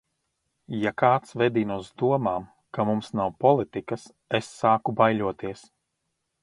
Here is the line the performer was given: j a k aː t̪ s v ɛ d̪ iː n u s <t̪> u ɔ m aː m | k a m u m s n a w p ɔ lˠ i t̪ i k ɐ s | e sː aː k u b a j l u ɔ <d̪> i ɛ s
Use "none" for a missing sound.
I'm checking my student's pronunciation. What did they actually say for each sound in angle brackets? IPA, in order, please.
d̪, t̪

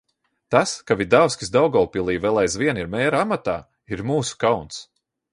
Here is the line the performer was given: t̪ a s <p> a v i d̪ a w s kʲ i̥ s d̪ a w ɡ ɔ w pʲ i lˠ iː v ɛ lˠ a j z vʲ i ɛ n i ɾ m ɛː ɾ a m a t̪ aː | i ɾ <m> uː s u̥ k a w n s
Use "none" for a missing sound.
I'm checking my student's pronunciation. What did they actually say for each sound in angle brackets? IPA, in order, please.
k, m

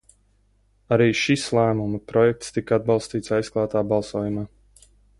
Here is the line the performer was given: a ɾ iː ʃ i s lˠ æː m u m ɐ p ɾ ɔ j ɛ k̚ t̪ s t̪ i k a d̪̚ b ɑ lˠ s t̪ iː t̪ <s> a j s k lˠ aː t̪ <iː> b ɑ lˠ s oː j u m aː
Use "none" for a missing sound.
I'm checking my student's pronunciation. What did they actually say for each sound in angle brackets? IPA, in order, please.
s, aː

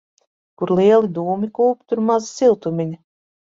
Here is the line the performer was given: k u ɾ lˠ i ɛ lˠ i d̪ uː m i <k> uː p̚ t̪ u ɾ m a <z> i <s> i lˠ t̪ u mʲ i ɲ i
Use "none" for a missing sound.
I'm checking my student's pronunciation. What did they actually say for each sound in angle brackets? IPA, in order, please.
k, z, s

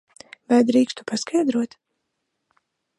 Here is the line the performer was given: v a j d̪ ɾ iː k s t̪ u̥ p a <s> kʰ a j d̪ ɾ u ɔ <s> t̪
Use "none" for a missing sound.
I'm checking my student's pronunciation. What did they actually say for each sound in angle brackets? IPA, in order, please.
s, none

